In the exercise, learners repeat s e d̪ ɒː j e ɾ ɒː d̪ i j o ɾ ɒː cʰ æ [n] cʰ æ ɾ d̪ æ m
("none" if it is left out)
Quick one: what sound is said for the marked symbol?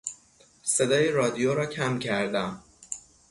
m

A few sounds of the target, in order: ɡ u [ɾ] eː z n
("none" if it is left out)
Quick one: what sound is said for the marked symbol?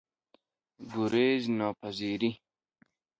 ɾ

